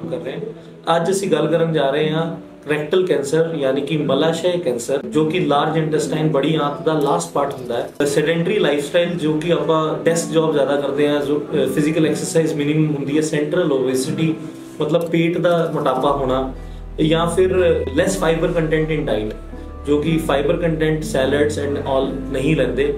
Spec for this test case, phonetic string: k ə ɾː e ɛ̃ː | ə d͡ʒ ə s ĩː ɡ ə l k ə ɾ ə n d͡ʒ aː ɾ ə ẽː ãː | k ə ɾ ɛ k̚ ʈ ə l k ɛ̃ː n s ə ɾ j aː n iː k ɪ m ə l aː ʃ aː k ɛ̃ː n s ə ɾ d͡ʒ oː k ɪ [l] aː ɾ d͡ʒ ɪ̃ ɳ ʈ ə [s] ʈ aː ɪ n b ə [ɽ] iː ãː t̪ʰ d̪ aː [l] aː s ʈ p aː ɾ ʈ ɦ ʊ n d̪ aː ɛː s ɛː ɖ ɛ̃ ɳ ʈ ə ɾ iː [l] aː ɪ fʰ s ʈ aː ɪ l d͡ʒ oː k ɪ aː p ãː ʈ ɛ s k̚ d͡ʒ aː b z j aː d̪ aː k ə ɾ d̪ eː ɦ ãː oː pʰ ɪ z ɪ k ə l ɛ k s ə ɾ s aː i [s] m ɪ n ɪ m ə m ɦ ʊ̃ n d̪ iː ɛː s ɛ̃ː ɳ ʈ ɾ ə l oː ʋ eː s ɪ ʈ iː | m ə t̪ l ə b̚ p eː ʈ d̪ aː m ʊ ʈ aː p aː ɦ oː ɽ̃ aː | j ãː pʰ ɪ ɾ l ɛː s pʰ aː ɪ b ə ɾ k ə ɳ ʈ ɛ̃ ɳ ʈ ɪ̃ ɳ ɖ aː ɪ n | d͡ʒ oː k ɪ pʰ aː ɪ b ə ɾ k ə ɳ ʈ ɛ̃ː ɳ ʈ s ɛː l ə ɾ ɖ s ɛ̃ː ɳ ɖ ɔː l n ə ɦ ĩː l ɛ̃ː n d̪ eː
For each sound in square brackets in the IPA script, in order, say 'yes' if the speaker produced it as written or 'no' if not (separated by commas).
yes, yes, yes, yes, yes, no